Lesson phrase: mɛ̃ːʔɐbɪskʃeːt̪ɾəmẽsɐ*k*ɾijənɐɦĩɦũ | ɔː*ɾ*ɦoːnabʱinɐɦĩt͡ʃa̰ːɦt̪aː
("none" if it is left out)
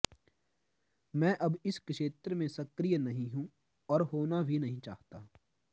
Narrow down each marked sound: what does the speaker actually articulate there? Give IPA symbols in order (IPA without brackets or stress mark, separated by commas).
k, ɾ